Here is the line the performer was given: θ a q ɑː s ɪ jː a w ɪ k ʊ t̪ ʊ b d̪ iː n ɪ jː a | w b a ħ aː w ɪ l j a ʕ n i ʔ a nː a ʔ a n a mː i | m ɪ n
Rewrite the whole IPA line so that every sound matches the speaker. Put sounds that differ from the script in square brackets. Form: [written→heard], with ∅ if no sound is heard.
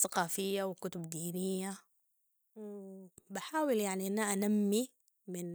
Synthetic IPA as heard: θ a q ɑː [s→f] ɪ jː a w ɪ k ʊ t̪ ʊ b d̪ iː n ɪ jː a | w b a ħ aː w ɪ l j a ʕ n i ʔ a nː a ʔ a n a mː i | m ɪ n